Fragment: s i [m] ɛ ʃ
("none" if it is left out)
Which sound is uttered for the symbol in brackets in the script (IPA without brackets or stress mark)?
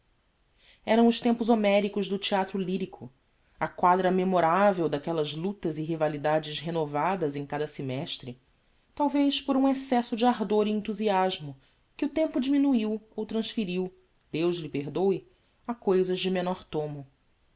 m